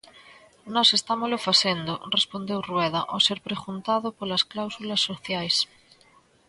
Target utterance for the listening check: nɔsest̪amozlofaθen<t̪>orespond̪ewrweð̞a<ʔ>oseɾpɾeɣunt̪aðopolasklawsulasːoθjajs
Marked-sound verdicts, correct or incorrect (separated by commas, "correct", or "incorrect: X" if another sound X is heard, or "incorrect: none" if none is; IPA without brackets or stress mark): incorrect: d̪, correct